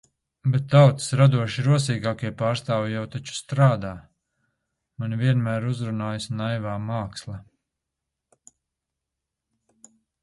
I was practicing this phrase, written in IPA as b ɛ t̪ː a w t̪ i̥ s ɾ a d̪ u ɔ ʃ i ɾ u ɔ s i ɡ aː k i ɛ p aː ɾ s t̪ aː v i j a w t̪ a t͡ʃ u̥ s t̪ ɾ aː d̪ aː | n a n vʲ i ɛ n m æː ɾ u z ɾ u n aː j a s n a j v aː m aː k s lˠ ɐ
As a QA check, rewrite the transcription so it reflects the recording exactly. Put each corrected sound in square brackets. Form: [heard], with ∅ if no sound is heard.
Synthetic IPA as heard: b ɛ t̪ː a w t̪ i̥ s ɾ a d̪ u ɔ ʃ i ɾ u ɔ s [iː] ɡ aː k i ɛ p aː ɾ s t̪ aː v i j a w t̪ a t͡ʃ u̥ s t̪ ɾ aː d̪ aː | [m] a n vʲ i ɛ n m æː ɾ u z ɾ u n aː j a s n a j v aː m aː k s lˠ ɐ